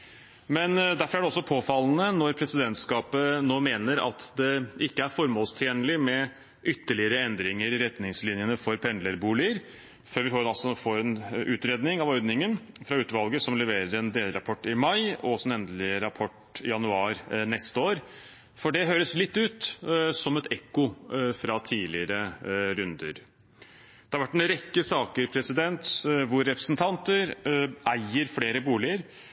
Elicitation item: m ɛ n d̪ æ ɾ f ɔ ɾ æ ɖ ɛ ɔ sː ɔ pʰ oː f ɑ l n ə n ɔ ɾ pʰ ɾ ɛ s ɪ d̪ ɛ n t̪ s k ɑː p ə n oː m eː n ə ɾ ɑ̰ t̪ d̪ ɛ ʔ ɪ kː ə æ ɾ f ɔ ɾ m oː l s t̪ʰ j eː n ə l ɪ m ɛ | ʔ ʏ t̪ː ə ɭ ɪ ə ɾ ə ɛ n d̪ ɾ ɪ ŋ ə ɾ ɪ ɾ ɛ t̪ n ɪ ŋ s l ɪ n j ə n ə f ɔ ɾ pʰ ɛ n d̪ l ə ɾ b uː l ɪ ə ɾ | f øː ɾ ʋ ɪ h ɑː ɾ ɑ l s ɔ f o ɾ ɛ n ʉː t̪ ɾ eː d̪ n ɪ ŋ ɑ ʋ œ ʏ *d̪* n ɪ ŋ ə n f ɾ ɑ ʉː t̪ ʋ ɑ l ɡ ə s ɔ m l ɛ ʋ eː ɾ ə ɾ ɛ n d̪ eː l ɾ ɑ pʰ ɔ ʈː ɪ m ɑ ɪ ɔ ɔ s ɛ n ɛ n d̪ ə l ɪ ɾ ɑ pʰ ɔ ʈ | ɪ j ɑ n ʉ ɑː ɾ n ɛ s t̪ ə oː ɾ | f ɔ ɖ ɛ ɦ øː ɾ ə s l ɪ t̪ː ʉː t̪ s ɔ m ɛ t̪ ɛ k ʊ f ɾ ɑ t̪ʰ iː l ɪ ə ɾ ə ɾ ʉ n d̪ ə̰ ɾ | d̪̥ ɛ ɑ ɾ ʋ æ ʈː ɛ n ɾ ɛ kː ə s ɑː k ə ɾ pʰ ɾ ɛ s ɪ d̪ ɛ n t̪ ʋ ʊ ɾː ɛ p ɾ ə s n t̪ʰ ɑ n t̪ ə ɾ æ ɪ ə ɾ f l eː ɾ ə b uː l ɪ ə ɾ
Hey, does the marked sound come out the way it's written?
yes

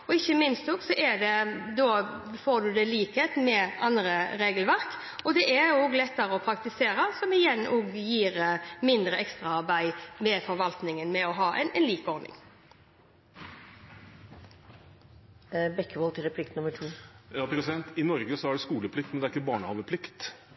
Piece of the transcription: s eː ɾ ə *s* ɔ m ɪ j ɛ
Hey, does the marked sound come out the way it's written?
yes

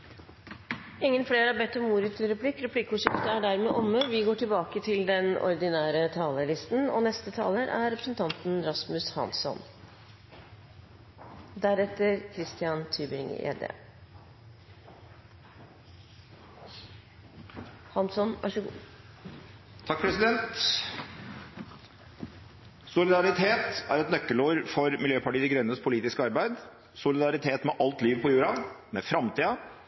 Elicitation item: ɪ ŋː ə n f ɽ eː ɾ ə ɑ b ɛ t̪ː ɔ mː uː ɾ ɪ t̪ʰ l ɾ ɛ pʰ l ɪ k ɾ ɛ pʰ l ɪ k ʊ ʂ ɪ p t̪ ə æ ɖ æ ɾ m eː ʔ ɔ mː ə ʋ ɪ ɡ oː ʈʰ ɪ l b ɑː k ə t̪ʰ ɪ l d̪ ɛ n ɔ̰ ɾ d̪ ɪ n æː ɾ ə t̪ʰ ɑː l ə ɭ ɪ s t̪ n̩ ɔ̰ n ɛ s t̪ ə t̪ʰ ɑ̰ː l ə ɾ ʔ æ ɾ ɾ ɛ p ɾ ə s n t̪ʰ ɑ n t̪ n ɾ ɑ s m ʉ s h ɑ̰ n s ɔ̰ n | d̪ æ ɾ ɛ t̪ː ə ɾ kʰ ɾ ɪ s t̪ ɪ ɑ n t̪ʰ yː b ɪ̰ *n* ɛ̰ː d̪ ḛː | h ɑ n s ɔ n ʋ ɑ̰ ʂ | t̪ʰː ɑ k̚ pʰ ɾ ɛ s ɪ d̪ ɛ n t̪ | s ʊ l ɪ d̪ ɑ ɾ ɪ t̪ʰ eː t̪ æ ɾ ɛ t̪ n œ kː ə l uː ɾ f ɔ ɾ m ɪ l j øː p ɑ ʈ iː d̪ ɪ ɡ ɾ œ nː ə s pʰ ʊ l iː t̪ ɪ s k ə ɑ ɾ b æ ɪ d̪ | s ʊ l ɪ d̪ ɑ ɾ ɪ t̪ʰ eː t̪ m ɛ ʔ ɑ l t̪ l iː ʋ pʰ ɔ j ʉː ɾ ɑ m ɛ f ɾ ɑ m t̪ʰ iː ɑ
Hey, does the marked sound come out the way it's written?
no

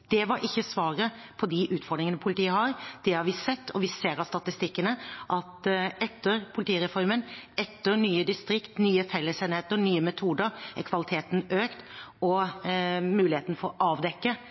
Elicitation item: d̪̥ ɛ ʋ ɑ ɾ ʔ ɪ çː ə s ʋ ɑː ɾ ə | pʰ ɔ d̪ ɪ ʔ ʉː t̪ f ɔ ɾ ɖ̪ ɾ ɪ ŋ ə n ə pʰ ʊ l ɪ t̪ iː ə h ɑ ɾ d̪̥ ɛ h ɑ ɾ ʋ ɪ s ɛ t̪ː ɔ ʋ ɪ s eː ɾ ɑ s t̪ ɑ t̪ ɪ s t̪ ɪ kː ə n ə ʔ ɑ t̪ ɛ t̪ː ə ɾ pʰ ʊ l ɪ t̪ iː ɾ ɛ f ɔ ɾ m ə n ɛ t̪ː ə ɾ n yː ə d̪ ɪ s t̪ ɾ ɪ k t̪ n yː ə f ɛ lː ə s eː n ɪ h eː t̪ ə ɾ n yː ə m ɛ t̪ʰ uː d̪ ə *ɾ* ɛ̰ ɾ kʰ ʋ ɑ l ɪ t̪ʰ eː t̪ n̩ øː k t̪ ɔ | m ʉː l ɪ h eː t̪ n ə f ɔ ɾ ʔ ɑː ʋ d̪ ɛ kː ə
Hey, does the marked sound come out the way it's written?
yes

